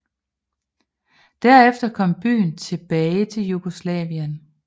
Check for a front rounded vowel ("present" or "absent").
present